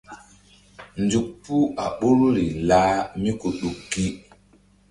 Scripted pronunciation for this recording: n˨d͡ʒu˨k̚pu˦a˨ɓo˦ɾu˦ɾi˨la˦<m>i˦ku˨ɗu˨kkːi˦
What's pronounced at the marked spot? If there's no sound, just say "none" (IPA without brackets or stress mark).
m